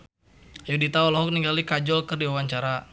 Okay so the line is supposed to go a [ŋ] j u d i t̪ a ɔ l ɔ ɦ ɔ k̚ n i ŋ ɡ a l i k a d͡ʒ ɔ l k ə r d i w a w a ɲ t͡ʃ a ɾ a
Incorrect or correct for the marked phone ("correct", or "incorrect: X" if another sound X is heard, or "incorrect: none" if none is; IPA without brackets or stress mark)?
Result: incorrect: none